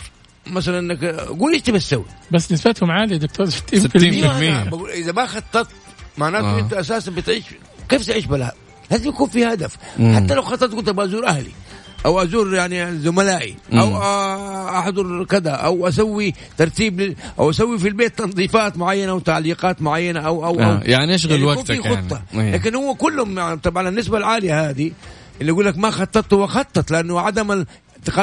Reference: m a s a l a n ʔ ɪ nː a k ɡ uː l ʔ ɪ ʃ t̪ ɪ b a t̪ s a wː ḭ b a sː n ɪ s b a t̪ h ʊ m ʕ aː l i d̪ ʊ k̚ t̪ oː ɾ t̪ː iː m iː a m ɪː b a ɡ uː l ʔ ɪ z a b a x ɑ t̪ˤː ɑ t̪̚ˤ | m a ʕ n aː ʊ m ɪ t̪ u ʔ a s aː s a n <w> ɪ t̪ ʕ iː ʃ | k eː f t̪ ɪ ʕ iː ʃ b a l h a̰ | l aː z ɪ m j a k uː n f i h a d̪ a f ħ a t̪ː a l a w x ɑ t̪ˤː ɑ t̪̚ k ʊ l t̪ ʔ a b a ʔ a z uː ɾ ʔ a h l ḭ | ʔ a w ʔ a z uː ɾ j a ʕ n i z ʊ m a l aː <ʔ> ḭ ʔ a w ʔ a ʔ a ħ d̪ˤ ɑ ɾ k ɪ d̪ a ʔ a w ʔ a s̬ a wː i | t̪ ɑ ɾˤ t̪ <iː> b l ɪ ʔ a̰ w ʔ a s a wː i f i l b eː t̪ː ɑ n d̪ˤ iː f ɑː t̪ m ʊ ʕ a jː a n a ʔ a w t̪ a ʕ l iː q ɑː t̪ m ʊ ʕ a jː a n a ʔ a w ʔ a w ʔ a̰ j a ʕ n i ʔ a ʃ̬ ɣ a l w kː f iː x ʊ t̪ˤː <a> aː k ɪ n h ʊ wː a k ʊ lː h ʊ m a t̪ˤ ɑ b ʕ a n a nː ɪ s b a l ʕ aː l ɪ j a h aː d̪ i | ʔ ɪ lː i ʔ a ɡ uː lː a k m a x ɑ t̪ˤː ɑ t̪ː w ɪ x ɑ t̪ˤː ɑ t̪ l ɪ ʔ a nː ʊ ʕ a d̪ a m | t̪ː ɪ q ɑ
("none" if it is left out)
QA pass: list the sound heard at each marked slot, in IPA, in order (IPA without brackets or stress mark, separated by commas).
b, ʔ, iː, ɑ